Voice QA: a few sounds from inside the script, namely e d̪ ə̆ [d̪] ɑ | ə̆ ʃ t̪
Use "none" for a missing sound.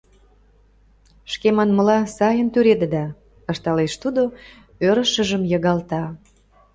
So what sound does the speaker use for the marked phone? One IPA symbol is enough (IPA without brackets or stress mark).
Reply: d̪